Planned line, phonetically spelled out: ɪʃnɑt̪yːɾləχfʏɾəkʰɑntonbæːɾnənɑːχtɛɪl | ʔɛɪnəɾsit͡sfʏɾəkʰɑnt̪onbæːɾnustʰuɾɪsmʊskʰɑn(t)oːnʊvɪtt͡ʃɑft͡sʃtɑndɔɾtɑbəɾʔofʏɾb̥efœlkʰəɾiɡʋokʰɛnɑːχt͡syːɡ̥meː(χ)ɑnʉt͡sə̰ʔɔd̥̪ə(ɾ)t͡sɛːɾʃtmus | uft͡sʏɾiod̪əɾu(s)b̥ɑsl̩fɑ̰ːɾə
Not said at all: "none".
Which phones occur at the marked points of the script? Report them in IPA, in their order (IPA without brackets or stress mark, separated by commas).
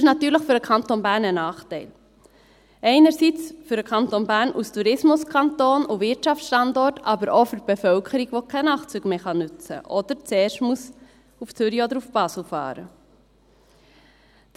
t, χ, ɾ, f